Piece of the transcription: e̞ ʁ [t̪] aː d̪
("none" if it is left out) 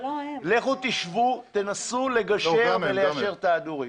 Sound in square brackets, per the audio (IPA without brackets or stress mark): t̪